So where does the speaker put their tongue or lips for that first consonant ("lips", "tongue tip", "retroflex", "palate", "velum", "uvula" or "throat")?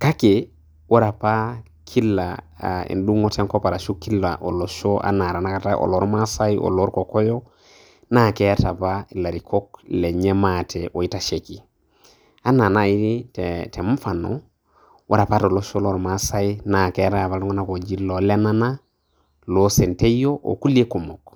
velum